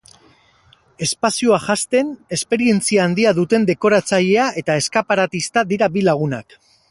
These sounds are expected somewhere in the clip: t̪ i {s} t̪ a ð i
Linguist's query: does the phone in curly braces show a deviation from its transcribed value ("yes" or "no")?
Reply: no